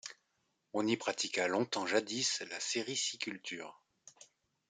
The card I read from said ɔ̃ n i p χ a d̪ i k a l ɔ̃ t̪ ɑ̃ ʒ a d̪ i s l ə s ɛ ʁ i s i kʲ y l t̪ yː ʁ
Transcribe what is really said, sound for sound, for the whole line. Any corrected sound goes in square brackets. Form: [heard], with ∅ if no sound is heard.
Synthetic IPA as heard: ɔ̃ n i p χ a [t̪] i k a l ɔ̃ t̪ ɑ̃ ʒ a d̪ i s l [a] s [e] ʁ i s i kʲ y l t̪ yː ʁ